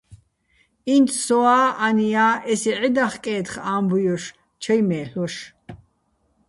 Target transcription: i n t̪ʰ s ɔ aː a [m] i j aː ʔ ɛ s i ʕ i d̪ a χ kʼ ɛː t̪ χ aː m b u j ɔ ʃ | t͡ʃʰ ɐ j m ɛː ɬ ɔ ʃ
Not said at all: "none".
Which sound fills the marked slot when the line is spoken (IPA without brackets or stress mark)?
n